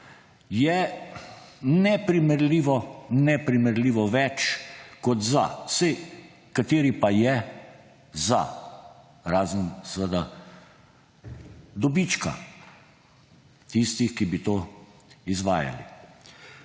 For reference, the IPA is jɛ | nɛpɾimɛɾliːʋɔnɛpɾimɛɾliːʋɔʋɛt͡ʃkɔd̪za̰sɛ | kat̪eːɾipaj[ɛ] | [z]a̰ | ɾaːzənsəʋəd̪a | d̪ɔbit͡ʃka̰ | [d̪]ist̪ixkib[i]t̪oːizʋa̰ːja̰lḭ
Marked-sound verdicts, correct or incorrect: correct, correct, incorrect, correct

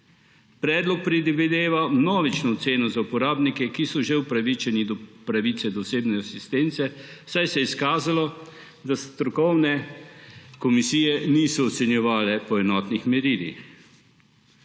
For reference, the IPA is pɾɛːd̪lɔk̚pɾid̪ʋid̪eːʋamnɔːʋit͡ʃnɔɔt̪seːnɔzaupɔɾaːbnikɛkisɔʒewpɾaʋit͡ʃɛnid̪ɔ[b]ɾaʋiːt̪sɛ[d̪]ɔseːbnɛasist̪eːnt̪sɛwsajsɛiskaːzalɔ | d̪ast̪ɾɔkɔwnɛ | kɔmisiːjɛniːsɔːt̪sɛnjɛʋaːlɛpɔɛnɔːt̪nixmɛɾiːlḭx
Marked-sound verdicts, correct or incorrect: incorrect, correct

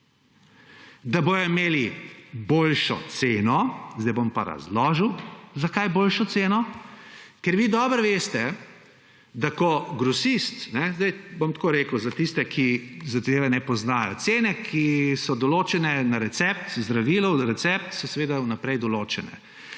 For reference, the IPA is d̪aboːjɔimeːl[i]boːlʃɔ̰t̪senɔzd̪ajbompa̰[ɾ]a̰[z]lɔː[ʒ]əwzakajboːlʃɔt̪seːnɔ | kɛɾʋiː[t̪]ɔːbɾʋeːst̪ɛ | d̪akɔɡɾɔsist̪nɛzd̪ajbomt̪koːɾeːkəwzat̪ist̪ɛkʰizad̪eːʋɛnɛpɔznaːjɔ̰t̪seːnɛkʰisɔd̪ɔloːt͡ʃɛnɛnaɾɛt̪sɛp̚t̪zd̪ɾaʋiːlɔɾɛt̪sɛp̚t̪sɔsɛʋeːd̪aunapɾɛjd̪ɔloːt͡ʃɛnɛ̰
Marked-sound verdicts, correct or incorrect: correct, correct, correct, correct, incorrect

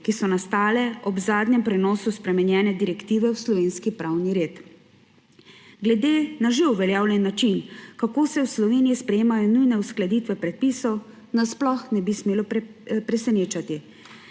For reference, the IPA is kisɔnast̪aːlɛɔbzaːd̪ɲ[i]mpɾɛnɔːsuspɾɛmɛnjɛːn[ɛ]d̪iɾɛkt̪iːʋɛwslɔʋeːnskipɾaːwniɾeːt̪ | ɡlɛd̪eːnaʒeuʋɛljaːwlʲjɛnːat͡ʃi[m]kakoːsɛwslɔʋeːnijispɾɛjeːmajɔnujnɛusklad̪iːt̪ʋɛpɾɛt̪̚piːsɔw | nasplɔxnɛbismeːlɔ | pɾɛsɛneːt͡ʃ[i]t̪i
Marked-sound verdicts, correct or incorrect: incorrect, correct, incorrect, incorrect

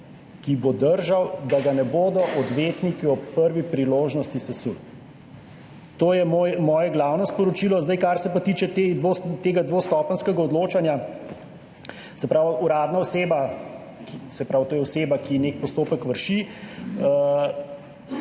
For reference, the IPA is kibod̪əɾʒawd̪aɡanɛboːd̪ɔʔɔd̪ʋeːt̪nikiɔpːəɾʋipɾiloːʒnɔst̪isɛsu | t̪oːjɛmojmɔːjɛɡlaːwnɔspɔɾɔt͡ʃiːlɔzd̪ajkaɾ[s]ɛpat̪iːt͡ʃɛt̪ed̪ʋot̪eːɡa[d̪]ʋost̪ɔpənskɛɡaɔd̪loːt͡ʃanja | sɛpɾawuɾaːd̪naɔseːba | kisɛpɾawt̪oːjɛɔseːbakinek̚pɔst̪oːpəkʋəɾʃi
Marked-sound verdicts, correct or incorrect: correct, correct

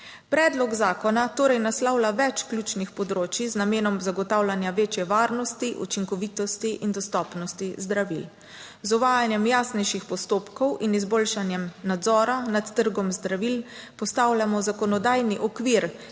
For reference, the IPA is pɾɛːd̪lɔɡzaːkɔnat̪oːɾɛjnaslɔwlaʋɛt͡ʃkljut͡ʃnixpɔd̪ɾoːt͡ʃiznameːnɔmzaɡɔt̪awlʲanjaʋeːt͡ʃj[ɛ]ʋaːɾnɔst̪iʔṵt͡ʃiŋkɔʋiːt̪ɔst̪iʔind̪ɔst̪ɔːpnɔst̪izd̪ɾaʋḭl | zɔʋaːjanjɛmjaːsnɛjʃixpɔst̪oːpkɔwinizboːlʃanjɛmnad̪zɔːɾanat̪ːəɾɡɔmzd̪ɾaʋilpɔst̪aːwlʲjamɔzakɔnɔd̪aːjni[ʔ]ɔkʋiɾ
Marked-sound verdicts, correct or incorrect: correct, correct

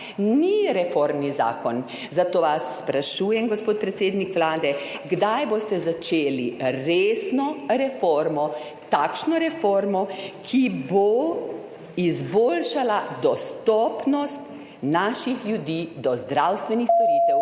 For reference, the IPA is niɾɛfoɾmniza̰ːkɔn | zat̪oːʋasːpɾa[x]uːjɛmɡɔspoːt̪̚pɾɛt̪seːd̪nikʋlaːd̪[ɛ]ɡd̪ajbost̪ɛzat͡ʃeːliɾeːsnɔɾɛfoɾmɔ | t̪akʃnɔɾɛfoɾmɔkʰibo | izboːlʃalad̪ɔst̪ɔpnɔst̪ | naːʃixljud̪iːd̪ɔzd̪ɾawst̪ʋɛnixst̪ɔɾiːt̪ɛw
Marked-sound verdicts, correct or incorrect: incorrect, correct

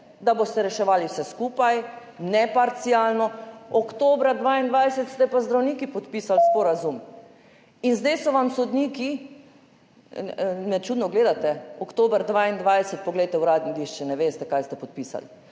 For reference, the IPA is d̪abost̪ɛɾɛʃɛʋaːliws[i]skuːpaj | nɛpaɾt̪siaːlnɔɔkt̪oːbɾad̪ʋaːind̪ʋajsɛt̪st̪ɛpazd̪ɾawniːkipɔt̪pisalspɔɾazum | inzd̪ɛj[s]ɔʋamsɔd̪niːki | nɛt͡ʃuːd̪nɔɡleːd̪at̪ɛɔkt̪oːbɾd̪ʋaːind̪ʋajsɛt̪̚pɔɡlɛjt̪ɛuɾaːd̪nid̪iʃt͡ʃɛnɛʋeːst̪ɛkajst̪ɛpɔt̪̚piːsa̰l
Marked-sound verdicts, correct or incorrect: incorrect, correct

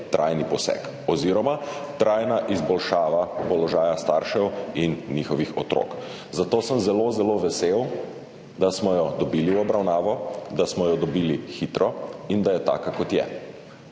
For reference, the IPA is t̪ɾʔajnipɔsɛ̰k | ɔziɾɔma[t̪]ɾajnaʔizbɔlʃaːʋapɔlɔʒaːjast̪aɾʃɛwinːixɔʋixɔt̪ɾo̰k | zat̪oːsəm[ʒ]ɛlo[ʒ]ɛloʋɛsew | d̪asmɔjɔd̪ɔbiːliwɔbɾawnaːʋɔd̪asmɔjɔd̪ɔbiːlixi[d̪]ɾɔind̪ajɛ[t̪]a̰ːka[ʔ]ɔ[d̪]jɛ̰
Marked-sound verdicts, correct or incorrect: correct, incorrect, incorrect, incorrect, correct, incorrect, incorrect

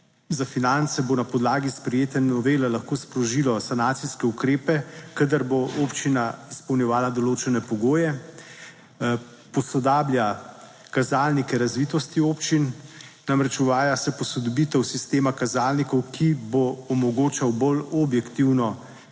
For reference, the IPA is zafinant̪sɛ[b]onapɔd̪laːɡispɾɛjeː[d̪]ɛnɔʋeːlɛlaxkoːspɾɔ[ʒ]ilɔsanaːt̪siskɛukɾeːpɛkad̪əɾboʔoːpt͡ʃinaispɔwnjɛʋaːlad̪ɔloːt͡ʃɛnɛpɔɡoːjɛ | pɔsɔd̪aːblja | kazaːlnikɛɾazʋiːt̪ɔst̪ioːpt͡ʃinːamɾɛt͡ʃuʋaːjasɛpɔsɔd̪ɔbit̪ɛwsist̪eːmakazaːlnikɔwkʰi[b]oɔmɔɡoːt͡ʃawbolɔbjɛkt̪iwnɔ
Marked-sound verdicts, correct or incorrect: correct, incorrect, correct, correct

